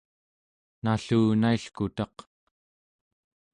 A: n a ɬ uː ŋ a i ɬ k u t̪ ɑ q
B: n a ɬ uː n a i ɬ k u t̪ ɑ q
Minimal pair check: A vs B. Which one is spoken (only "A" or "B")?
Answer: B